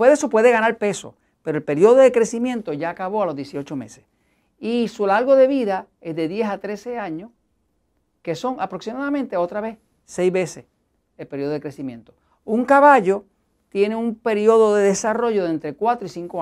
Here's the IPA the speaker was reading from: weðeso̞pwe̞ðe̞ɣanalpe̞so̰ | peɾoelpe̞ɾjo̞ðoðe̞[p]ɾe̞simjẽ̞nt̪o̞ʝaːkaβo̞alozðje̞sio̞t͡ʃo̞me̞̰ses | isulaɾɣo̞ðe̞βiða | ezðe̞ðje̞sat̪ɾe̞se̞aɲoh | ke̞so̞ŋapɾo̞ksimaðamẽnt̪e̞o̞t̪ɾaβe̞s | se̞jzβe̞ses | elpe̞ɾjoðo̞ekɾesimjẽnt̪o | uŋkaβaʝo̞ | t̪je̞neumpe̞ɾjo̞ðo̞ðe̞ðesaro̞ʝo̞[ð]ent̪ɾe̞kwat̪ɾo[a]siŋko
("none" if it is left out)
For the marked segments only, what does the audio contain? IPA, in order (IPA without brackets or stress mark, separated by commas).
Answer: k, ð, i